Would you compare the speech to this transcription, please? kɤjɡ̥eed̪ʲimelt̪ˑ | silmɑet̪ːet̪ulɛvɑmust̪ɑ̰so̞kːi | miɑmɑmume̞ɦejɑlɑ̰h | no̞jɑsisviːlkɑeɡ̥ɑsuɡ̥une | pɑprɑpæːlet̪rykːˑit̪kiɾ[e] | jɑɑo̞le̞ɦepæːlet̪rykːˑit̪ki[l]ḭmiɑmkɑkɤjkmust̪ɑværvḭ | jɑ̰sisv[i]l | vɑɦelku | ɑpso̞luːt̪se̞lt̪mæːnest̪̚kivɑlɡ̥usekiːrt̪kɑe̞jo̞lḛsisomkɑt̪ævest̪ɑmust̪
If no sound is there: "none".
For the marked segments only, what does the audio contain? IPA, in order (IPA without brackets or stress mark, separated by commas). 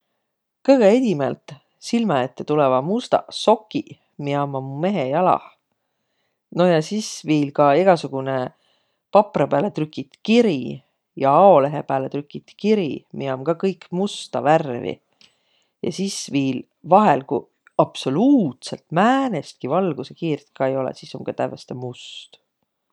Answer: i, ɾ, iː